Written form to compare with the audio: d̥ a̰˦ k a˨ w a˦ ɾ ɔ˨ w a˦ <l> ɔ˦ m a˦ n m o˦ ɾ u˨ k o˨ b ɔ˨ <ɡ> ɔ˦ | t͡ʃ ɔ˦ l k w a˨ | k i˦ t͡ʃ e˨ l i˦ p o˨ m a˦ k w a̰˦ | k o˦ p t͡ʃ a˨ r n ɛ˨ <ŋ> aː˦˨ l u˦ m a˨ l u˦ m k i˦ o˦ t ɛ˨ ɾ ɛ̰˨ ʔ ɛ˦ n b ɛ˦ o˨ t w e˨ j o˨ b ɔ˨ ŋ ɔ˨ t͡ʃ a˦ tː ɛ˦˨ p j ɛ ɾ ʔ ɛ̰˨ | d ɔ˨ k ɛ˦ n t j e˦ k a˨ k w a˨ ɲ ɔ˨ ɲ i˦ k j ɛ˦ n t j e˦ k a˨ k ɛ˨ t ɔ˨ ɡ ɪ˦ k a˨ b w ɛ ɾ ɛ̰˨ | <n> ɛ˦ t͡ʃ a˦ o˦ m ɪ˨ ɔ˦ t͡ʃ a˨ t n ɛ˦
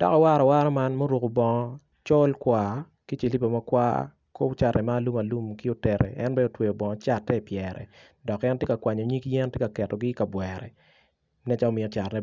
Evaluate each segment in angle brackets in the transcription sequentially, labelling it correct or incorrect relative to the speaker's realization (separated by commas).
incorrect, incorrect, incorrect, correct